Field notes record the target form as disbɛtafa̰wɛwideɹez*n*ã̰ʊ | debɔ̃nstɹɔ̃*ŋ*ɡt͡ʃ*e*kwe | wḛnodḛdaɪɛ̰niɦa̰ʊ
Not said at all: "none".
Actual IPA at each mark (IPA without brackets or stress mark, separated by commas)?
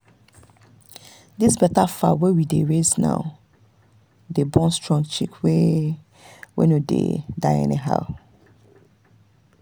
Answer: n, ŋ, i